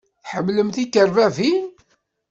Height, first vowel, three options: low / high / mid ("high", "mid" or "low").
mid